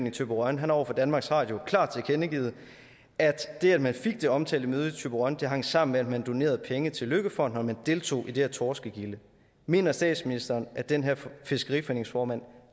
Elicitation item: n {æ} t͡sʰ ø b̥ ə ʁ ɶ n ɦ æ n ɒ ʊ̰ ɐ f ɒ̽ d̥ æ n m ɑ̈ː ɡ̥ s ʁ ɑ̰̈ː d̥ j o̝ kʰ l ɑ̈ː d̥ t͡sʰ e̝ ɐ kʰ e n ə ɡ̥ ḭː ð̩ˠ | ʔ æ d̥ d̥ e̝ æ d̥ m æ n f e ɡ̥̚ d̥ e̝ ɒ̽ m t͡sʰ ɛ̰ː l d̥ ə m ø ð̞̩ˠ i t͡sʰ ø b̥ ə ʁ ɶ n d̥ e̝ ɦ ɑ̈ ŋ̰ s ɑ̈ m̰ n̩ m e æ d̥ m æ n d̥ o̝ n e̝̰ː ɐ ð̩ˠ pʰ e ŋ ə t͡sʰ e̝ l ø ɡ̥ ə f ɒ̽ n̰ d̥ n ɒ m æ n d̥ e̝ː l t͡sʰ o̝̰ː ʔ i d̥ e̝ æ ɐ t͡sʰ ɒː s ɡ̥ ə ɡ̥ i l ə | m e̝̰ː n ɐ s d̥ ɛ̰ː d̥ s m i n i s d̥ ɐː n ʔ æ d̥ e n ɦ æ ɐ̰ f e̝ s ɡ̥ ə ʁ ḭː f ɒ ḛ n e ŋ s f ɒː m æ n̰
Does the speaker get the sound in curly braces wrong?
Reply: yes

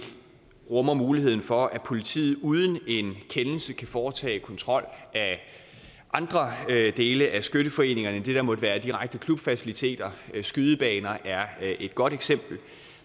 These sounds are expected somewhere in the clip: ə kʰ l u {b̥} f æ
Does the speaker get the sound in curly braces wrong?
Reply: no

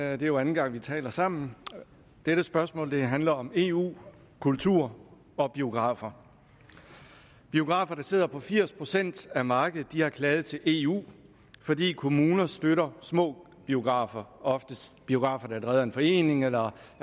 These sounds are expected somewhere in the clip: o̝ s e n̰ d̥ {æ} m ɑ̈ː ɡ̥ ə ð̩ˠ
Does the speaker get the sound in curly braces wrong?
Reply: no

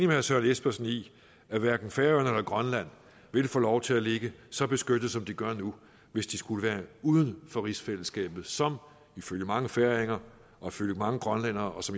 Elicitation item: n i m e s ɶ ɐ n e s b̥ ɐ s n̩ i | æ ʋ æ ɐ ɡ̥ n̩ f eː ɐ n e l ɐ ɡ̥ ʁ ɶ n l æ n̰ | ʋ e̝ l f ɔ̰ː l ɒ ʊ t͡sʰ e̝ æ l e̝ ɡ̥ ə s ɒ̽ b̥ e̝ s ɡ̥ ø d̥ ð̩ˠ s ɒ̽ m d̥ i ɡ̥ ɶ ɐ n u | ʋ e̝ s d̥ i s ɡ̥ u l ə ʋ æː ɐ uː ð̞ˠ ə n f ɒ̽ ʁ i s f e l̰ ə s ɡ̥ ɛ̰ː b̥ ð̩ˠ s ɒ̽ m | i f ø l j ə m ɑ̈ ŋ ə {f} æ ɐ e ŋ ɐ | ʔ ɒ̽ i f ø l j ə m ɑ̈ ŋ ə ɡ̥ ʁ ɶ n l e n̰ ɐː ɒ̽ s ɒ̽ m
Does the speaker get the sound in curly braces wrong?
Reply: no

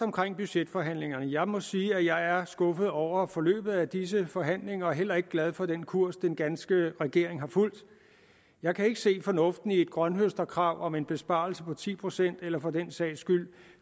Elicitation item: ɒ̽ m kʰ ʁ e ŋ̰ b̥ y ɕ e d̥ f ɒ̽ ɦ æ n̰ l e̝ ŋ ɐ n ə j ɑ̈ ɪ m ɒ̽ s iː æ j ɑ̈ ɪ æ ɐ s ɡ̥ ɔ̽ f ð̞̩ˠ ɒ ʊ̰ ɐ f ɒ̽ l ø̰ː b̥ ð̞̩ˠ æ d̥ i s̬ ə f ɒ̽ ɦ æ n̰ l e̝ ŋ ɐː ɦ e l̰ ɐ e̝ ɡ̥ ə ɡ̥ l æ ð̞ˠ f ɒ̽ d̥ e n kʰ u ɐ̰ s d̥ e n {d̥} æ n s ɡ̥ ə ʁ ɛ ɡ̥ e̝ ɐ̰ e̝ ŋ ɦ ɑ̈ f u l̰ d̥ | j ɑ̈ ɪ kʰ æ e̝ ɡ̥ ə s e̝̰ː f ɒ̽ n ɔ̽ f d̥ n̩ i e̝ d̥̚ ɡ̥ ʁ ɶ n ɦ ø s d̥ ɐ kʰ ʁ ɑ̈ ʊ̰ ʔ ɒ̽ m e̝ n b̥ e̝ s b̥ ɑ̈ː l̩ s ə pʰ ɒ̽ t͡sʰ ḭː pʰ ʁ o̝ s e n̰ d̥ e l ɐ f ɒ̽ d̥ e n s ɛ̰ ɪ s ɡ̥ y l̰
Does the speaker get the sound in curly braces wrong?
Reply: yes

